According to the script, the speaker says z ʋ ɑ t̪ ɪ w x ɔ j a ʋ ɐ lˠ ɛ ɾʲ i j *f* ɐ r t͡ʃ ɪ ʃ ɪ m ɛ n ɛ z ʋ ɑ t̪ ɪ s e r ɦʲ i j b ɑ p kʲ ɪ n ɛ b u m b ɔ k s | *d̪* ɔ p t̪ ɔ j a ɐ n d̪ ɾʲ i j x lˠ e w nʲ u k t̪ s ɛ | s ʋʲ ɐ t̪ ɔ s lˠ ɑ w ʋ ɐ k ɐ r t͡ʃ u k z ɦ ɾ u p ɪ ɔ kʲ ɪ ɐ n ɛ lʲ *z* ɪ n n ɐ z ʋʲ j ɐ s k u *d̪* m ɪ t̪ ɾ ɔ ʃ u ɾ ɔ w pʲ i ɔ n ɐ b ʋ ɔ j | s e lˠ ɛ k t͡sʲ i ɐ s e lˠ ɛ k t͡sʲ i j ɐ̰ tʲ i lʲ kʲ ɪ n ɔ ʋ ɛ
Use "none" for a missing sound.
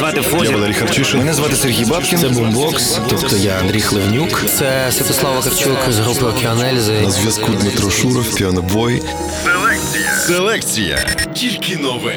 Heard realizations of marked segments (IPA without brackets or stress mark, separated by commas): x, t̪, z, d̪